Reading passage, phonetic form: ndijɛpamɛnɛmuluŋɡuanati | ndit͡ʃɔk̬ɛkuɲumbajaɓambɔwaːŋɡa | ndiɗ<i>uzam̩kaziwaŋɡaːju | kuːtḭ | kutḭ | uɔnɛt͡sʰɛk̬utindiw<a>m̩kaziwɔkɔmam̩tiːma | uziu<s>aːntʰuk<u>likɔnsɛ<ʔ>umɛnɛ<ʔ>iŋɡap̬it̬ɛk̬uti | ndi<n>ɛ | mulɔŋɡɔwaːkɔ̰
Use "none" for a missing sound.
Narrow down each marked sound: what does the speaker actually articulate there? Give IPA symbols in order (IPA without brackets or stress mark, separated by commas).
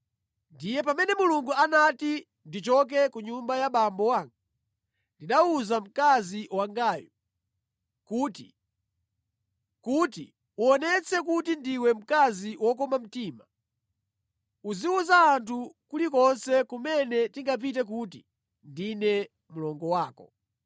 a, ɛ, z, u, k, t, n